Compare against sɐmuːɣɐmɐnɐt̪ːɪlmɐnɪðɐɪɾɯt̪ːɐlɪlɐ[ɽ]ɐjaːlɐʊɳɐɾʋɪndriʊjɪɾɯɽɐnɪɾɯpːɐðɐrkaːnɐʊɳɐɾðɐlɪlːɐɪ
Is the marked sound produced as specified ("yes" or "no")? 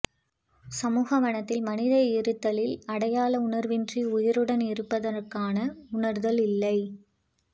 yes